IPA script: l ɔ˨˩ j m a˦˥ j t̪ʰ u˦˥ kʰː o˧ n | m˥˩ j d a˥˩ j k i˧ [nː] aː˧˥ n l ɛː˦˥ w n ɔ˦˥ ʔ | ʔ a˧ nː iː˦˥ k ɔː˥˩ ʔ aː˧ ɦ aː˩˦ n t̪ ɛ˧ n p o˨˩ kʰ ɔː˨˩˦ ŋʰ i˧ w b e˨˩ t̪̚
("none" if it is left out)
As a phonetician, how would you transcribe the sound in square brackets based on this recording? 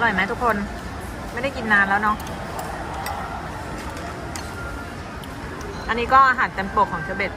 nː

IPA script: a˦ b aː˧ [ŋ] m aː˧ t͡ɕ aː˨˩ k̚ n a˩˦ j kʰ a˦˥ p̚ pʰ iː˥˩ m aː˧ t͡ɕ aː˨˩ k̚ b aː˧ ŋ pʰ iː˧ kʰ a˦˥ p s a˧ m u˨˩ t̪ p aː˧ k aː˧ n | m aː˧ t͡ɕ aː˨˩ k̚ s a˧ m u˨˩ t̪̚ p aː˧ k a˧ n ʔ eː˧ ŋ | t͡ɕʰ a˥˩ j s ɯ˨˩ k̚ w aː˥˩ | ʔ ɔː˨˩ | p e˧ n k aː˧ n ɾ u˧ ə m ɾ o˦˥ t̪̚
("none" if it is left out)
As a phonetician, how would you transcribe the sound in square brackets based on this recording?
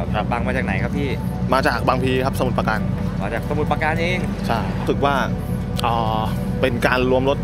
ŋ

